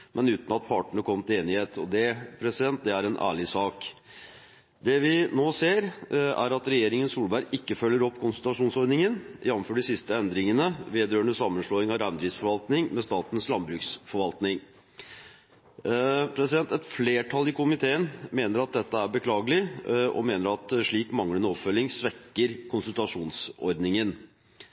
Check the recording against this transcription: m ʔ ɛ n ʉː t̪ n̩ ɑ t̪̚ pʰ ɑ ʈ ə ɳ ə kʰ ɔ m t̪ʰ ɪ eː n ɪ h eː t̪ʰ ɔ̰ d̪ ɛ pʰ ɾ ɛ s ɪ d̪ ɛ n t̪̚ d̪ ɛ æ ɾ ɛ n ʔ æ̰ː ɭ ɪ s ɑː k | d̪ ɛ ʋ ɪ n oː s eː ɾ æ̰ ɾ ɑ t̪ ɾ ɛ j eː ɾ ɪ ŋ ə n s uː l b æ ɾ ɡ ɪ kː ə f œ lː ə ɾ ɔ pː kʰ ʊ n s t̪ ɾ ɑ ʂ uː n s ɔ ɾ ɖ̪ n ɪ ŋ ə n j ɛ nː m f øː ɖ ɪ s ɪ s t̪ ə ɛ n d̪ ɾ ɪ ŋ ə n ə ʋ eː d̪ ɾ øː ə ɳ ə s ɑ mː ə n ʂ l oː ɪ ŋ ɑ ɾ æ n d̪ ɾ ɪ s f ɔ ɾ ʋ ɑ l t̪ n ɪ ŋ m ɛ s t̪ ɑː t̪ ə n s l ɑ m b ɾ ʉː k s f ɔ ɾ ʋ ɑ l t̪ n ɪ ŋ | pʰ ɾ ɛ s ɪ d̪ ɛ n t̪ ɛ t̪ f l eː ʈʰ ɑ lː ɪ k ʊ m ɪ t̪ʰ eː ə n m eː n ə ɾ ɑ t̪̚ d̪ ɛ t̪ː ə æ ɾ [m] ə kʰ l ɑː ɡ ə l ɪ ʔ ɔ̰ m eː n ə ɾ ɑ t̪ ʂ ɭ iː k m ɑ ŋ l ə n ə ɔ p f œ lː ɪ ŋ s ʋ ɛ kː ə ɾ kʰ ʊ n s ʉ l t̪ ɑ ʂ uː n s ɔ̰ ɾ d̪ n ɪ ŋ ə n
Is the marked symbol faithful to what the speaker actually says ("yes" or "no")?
no